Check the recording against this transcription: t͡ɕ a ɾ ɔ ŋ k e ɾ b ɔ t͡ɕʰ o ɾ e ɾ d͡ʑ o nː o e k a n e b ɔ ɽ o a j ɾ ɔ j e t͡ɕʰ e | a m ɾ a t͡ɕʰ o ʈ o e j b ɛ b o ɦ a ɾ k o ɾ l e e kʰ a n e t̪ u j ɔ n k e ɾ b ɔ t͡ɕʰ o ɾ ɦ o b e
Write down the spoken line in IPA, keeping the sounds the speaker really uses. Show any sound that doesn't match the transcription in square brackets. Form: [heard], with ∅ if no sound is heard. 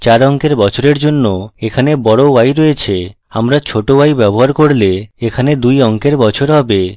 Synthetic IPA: t͡ɕ a ɾ ɔ ŋ k e ɾ b ɔ t͡ɕʰ o ɾ e ɾ d͡ʑ o nː o e [kʰ] a n e b ɔ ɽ o a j ɾ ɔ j e t͡ɕʰ e | a m ɾ a t͡ɕʰ o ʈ o [a] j b ɛ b o ɦ a ɾ k o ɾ l e e kʰ a n e [d̪] u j ɔ [ŋ] k e ɾ b ɔ t͡ɕʰ o ɾ ɦ [ɔ] b e